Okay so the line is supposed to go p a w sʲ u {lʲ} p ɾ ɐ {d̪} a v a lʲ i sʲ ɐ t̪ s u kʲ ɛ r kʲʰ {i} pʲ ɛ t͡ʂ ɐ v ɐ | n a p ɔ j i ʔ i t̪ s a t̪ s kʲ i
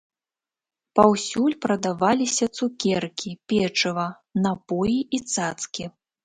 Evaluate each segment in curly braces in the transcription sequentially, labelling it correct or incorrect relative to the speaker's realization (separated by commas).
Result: correct, correct, correct